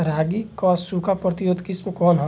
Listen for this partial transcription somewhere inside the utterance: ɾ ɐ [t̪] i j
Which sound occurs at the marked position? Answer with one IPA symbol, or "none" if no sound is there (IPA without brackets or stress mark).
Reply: t̪